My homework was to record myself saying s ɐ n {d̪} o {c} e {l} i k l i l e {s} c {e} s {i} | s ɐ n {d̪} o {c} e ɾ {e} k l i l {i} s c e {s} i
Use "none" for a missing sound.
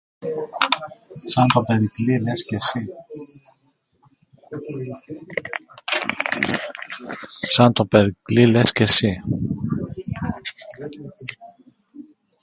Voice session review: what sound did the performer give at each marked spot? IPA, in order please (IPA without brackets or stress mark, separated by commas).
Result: t̪, p, ɾ, s, e, i, t̪, p, i, e, s